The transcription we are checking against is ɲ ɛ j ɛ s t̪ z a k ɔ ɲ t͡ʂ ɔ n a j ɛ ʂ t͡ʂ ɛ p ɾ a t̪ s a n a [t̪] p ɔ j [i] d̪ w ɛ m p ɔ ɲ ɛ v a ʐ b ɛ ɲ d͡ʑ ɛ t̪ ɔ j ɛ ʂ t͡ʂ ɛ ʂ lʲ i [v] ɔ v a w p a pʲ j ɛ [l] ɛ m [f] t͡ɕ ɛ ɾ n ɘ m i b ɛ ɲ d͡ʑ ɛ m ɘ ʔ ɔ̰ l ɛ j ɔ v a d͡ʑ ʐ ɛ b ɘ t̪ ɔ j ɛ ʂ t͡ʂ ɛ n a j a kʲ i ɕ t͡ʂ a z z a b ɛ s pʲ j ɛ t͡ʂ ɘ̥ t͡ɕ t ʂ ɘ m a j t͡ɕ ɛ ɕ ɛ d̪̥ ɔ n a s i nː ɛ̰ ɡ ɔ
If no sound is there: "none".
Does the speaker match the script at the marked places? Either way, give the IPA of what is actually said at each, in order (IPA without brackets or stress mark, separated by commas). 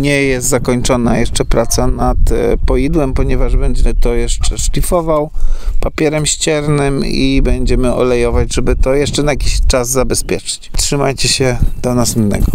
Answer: t̪, i, f, ɾ, ɕ